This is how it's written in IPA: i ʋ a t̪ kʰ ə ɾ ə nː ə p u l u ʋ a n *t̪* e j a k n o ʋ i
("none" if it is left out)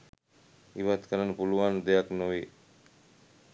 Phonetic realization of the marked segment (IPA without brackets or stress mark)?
d̪